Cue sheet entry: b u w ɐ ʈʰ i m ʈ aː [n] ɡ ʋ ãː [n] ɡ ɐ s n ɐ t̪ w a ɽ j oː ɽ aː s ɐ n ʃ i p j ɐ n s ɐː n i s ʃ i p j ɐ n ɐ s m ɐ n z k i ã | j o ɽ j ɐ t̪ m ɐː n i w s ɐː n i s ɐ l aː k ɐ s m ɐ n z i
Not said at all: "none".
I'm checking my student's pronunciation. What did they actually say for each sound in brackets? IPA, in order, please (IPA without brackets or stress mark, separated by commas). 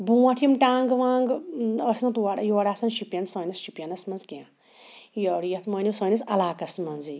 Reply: ŋ, ŋ